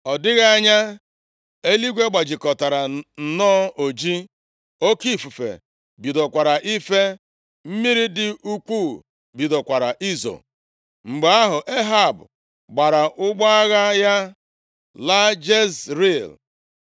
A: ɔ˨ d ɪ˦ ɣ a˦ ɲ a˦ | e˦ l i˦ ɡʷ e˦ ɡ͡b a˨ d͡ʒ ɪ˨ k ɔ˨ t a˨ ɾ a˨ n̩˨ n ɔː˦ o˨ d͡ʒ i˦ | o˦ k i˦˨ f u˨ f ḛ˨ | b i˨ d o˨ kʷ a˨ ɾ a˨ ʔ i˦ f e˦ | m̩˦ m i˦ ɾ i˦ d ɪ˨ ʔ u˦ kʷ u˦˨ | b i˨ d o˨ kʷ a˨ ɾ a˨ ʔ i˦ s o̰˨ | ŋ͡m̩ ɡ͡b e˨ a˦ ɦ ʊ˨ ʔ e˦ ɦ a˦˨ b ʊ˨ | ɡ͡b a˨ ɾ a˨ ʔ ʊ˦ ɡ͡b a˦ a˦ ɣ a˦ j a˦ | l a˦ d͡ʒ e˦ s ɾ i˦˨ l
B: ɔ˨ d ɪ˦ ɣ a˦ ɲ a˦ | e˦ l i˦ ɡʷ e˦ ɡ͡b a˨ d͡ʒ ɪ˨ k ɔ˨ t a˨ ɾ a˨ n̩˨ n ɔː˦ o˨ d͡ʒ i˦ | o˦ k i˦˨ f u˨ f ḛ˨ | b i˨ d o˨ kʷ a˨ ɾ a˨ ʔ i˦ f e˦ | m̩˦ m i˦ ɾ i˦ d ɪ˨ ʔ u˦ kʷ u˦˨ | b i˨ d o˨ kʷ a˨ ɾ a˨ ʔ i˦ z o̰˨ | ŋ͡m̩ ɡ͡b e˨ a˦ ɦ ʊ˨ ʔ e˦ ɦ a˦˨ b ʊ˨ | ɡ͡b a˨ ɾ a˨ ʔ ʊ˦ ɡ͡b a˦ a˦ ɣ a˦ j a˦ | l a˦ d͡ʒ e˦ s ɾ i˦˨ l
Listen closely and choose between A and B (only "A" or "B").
B